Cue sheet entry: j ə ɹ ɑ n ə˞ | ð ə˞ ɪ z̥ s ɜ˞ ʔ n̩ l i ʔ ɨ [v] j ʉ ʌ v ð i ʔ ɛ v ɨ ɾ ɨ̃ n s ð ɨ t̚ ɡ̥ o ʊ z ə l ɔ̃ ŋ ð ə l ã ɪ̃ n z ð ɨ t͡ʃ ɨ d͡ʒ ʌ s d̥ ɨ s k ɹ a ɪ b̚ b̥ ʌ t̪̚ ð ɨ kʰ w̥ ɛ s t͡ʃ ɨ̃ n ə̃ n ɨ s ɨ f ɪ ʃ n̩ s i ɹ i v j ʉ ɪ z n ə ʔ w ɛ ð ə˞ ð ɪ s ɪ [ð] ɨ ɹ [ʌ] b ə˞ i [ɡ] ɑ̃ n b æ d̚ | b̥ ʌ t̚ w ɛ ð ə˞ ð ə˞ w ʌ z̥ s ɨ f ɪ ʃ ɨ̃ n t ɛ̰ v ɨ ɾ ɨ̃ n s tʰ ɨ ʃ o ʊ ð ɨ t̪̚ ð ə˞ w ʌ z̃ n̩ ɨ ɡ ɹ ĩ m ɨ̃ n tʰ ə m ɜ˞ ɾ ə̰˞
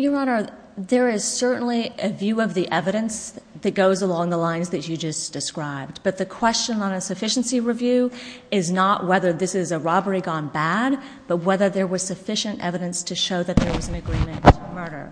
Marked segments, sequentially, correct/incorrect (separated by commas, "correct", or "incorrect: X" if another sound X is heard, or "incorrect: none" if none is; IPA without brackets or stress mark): correct, incorrect: z, incorrect: ɑ, correct